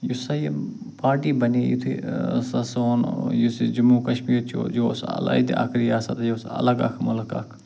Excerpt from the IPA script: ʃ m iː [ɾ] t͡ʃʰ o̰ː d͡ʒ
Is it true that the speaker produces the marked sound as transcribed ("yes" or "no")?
yes